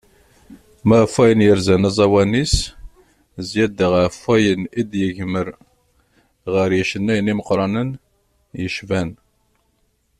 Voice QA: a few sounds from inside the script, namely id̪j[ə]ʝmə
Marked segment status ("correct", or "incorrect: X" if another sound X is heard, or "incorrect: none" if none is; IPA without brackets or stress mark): correct